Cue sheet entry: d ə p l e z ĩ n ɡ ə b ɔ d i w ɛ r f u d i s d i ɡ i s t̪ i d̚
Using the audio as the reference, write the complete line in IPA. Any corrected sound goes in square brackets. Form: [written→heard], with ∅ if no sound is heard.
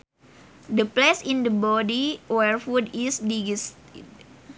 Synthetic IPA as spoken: d ə p l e [z→s] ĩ n [ɡ→d] ə b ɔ d i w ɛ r f u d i s d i ɡ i s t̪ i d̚